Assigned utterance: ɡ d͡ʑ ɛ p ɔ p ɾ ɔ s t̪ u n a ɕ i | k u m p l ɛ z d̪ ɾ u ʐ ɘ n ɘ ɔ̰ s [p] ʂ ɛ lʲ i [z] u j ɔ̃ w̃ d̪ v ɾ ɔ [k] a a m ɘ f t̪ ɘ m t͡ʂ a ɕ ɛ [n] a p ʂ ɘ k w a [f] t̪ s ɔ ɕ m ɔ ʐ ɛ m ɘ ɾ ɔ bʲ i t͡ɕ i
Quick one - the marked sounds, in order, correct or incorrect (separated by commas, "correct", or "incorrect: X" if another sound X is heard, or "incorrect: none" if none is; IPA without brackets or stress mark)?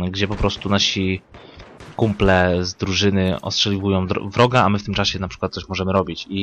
incorrect: t, incorrect: v, incorrect: ɡ, correct, incorrect: none